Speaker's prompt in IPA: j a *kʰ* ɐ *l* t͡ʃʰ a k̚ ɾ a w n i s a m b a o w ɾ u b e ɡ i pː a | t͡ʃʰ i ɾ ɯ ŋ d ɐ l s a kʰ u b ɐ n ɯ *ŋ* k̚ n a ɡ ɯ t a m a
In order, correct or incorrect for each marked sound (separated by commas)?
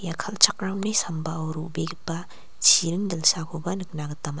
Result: correct, correct, incorrect